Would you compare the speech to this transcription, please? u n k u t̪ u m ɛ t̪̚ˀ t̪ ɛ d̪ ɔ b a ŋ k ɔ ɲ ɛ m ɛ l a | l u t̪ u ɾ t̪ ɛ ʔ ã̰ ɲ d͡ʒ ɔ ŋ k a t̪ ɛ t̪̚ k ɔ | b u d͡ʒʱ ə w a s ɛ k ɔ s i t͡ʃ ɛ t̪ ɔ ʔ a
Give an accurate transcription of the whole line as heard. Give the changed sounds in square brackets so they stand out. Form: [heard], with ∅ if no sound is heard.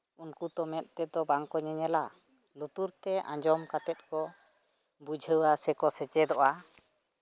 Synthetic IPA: u n k u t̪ [ɔ] m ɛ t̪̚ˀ t̪ ɛ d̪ ɔ b a ŋ k ɔ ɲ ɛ [ɲ] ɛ l a | l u t̪ u ɾ t̪ ɛ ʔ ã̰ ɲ d͡ʒ ɔ [m] k a t̪ ɛ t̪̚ k ɔ | b u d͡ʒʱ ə w a s ɛ k ɔ s [ɛ] t͡ʃ ɛ [d̪] ɔ ʔ a